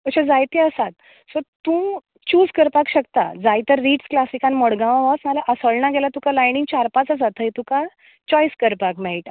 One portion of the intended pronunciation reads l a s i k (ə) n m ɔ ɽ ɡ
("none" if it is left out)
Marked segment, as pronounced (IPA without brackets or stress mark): a